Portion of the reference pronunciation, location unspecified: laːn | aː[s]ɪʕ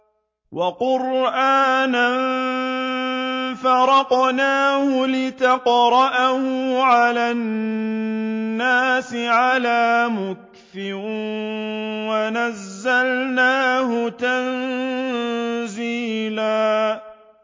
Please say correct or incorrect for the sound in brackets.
correct